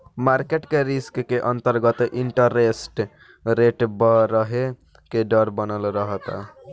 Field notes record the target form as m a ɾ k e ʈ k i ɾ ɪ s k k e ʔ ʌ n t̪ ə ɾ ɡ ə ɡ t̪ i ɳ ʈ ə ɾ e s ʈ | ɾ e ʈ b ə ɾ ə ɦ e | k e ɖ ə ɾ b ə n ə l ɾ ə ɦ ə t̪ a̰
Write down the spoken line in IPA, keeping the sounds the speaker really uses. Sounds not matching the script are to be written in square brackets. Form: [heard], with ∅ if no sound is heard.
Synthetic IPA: m a ɾ k e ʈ k [e] ɾ [i] s k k e ʔ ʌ n t̪ ə ɾ ɡ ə [∅] t̪ i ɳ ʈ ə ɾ e s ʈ | ɾ e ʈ b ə ɾ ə ɦ e | k e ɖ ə ɾ b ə n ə l ɾ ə ɦ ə t̪ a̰